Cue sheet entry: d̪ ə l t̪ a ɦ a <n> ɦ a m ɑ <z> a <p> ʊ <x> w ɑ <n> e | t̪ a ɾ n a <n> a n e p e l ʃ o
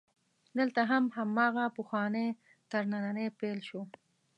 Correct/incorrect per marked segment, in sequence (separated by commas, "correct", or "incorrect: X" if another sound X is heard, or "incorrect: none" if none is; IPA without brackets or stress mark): incorrect: m, incorrect: ɣ, correct, correct, correct, correct